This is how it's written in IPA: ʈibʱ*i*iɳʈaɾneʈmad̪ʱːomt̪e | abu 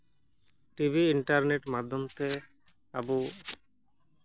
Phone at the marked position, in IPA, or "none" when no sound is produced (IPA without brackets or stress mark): i